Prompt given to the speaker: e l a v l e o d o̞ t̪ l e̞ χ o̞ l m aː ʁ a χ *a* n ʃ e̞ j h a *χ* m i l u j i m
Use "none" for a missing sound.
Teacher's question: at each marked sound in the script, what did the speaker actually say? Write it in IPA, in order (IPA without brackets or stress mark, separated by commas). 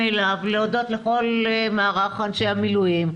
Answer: a, none